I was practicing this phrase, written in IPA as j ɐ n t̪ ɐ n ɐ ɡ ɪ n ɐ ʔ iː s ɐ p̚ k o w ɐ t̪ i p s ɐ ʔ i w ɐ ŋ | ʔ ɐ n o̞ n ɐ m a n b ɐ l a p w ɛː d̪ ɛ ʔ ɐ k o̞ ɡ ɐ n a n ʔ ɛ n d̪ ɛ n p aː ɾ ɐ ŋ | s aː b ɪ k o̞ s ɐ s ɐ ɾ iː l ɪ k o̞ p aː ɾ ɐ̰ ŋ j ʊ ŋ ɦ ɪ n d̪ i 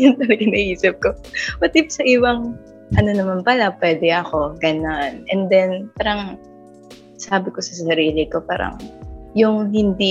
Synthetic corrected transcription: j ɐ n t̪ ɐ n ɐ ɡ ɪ n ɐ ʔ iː s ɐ p̚ k o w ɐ t̪ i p s ɐ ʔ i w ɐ ŋ | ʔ ɐ n o̞ n ɐ m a n p ɐ l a p w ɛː d̪ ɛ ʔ ɐ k o̞ ɡ ɐ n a n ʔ ɛ n d̪ ɛ n p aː ɾ ɐ ŋ | s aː b ɪ k o̞ s ɐ s ɐ ɾ iː l ɪ k o̞ p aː ɾ ɐ̰ ŋ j ʊ ŋ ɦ ɪ n d̪ i